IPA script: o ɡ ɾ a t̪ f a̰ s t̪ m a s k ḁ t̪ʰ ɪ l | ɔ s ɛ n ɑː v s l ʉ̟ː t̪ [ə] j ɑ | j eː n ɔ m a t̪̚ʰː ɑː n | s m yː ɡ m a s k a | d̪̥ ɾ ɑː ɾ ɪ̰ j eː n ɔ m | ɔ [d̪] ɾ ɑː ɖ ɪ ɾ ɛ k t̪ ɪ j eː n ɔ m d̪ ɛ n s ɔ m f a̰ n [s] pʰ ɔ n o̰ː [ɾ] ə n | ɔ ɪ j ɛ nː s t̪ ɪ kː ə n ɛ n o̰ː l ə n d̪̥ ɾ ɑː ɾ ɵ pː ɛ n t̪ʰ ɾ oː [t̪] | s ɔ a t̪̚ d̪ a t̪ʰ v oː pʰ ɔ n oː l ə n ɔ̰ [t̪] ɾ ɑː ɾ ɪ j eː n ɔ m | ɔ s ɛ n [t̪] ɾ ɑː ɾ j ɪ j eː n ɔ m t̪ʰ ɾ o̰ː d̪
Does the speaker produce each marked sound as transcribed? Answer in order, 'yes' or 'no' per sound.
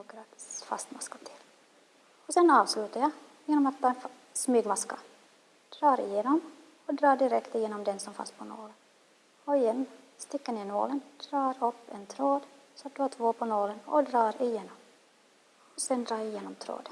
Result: no, yes, yes, no, no, no, no

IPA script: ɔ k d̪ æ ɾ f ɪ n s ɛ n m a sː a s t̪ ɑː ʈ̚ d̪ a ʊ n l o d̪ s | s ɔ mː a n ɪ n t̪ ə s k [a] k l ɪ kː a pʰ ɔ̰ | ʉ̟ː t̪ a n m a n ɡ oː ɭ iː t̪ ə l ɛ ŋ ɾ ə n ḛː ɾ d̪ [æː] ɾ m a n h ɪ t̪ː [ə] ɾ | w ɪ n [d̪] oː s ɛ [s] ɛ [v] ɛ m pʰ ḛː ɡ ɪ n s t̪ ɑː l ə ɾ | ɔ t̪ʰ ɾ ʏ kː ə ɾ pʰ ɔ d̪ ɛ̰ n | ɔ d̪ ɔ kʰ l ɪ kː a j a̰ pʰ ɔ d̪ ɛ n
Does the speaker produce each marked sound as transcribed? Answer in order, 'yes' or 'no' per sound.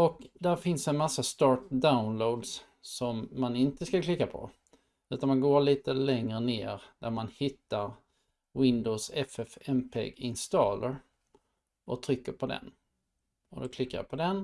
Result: yes, no, no, yes, no, no

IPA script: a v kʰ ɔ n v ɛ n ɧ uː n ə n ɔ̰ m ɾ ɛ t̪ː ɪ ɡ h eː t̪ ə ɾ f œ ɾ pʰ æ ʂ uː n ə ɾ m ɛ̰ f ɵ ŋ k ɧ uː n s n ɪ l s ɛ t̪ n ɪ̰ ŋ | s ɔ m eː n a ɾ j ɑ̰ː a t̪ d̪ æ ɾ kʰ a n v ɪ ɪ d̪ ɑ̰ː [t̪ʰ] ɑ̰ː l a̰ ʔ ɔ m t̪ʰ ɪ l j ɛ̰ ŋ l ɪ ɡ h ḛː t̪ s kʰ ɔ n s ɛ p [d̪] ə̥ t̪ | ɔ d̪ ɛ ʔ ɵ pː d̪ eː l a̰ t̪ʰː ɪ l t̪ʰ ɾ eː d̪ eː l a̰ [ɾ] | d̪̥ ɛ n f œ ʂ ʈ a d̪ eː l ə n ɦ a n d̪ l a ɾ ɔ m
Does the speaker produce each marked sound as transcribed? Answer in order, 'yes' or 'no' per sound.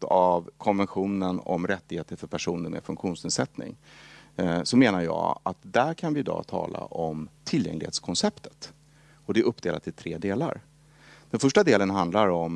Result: yes, no, yes

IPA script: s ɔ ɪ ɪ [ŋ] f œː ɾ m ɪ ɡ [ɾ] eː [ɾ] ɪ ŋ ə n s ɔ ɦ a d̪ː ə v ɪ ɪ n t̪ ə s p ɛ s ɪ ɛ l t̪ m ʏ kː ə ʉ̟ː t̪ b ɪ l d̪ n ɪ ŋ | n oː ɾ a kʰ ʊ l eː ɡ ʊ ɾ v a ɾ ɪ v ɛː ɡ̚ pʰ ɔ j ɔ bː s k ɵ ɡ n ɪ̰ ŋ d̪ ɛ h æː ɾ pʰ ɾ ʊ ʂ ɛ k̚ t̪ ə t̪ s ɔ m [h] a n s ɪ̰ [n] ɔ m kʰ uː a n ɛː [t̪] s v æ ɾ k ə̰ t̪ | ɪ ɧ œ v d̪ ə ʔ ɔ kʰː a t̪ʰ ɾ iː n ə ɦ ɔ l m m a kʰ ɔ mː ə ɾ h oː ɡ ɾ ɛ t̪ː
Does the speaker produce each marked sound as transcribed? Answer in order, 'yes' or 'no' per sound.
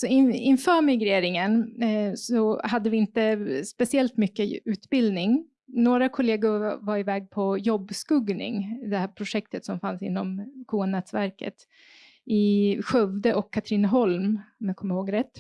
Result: no, yes, yes, no, no, yes

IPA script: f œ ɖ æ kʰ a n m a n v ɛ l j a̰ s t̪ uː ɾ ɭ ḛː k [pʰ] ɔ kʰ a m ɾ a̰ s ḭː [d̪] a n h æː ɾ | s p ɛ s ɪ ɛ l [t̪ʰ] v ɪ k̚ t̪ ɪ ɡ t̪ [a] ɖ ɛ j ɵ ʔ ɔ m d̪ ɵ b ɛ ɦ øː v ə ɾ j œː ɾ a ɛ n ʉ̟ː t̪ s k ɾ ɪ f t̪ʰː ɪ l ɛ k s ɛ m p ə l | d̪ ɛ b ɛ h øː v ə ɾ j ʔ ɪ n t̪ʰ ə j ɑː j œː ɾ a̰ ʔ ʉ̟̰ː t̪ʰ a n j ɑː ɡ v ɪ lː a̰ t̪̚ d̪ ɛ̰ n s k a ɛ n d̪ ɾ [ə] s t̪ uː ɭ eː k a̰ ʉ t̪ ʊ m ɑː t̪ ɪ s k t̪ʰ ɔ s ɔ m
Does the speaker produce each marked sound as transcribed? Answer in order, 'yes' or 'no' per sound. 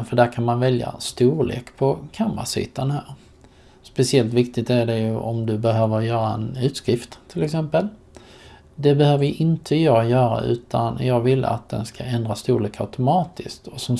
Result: yes, no, no, no, no

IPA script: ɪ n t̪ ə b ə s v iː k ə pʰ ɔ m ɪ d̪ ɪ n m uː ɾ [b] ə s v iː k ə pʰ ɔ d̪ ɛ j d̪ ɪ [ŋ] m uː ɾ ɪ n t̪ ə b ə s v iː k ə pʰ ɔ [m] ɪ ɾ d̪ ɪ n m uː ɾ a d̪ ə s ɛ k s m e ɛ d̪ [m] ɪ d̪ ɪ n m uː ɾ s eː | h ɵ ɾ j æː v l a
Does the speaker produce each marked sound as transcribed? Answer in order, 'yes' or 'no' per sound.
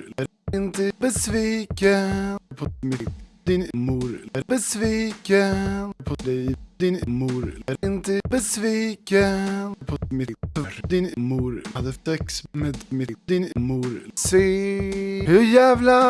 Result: yes, no, yes, yes

